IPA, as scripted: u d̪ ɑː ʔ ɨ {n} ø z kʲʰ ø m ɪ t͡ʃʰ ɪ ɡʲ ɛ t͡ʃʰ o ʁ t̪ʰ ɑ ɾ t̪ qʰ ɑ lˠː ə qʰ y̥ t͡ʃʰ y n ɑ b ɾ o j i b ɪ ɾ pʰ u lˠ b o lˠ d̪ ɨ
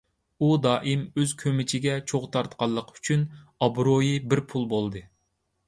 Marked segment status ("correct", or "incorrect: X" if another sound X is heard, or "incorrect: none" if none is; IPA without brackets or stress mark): incorrect: m